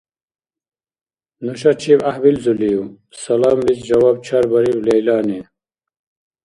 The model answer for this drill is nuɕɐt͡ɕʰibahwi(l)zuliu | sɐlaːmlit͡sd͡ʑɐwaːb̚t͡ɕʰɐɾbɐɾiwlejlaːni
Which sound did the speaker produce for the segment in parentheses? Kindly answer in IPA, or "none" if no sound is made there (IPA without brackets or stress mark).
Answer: l